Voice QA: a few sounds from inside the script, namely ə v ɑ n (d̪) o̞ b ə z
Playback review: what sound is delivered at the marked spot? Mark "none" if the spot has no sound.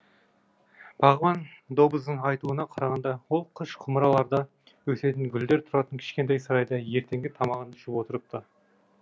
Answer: d̪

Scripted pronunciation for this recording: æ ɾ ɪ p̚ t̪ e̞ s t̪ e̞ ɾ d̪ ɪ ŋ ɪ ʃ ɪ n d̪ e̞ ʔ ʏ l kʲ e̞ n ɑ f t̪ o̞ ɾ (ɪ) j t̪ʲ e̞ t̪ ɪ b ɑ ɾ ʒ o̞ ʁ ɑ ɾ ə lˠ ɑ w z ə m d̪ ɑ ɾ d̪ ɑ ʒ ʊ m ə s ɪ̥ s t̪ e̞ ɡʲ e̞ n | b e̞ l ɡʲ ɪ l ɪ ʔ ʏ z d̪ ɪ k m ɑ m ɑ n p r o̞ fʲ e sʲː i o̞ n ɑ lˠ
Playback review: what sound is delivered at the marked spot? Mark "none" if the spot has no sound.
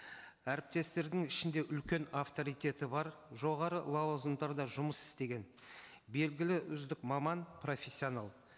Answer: i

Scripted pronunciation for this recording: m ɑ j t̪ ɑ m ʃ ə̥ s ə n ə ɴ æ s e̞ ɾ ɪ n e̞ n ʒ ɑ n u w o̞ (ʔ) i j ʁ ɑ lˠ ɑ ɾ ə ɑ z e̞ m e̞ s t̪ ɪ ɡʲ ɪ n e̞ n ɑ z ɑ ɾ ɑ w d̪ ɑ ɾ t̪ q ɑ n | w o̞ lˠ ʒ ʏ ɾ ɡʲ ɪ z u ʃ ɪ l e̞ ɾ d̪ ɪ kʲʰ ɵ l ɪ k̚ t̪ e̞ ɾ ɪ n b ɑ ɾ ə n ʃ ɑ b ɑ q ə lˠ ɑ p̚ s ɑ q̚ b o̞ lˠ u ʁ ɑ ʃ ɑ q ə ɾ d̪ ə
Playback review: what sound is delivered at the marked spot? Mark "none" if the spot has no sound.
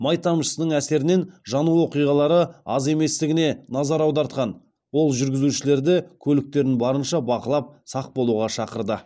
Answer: q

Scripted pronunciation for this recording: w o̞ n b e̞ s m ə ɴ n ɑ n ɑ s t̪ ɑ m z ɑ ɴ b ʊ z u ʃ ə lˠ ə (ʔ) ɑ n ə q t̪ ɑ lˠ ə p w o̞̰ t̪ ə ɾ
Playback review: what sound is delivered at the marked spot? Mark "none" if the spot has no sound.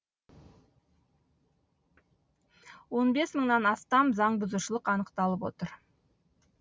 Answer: q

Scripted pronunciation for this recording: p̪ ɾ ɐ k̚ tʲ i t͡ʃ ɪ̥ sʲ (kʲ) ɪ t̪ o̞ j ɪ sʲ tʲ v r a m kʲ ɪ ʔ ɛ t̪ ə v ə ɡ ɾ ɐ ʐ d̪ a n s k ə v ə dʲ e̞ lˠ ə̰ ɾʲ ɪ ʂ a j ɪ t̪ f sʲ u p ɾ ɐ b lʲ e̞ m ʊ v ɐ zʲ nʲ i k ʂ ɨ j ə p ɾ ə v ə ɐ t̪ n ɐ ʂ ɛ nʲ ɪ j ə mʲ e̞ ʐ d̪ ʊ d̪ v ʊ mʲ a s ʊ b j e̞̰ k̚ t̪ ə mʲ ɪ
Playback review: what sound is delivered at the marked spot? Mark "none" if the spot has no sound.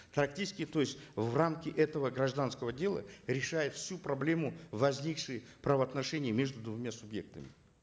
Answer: kʲ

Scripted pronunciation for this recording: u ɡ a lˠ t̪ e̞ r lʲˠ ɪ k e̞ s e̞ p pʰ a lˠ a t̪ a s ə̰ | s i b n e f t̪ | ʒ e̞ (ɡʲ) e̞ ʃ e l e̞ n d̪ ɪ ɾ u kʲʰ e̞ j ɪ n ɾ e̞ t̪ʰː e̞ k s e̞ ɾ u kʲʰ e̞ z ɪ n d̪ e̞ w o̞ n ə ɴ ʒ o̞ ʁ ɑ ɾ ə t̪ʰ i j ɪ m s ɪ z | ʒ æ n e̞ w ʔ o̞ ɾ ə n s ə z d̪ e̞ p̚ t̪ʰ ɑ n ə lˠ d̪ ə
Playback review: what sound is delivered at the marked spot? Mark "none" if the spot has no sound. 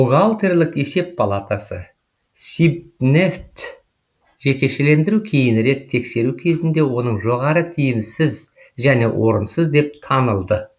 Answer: kʲ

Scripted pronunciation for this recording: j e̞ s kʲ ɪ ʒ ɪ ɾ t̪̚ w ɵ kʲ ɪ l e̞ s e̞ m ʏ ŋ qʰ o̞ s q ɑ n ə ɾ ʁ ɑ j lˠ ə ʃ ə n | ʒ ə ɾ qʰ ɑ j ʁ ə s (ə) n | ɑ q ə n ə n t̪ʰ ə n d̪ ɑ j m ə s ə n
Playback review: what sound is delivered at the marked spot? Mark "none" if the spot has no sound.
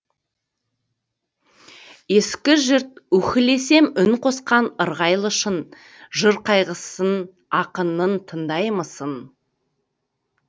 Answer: ə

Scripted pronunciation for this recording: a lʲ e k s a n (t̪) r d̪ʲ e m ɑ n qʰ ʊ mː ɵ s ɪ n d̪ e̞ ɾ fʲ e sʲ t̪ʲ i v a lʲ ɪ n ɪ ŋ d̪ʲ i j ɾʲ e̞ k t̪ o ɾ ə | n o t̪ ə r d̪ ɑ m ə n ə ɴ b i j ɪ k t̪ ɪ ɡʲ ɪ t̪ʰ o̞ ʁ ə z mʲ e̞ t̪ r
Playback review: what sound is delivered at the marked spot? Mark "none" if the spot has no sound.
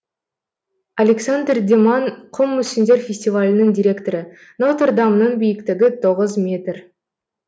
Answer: d̪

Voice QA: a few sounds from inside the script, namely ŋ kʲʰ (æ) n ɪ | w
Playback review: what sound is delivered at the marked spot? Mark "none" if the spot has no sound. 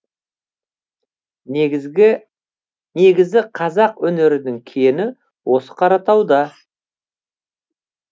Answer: e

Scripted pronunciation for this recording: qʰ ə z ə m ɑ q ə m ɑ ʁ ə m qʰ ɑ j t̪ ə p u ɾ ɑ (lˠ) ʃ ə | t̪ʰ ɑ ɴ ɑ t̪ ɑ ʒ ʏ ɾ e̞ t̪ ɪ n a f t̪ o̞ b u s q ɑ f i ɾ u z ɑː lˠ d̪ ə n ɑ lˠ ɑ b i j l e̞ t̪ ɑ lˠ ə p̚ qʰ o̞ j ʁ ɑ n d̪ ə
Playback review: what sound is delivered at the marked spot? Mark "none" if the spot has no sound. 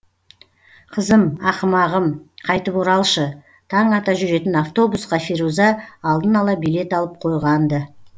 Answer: lˠ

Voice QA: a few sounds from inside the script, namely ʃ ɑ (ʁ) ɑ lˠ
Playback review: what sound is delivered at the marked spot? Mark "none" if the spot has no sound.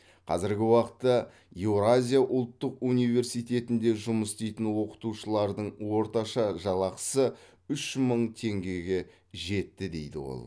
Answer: ʒ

